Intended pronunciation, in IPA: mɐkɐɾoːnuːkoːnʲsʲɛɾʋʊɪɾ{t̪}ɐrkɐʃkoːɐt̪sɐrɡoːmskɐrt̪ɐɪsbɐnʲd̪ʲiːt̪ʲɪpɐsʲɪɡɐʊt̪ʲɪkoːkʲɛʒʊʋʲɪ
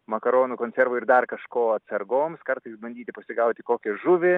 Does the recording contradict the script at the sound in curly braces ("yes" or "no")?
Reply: yes